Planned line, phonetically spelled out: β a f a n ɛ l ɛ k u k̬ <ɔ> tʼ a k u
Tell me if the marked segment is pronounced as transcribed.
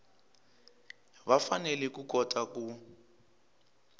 yes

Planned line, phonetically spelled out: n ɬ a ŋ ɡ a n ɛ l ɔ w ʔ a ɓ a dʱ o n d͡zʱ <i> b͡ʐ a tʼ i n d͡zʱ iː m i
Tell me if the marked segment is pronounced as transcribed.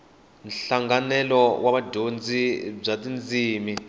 yes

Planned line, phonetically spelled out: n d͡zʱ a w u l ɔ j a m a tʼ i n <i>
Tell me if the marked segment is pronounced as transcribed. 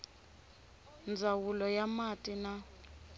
no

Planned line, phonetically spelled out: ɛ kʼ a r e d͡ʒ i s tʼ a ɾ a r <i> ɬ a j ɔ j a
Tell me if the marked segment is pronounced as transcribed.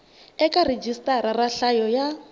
no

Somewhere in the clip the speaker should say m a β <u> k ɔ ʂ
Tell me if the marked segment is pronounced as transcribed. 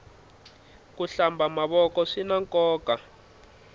no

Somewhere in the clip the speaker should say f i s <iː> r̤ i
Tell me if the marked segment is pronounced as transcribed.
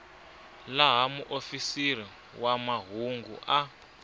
no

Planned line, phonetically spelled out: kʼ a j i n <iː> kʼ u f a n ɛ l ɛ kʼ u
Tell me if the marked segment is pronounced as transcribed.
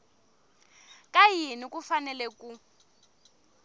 no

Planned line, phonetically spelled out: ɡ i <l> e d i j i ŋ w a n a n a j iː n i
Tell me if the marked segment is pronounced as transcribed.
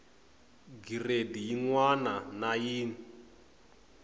no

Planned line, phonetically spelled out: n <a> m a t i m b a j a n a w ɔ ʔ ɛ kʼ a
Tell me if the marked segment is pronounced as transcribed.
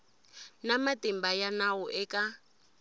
yes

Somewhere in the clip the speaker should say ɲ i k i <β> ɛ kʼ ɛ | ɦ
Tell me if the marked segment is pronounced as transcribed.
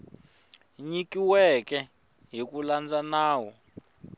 no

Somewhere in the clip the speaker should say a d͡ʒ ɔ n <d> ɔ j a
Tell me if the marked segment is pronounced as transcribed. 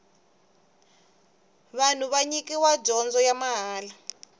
no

